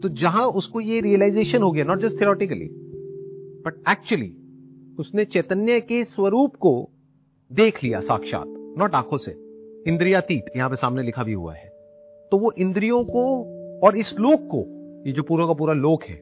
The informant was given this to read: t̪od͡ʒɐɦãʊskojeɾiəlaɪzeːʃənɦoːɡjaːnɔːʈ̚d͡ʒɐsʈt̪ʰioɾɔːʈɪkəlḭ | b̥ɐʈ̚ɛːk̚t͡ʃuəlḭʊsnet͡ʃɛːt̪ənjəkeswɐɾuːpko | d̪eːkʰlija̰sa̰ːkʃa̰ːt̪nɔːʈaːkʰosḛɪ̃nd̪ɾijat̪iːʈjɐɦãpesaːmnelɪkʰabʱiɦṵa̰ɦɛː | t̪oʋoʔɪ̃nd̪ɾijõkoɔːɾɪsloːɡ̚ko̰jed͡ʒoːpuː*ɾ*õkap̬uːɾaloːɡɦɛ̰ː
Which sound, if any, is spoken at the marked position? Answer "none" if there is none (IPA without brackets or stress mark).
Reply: ɾ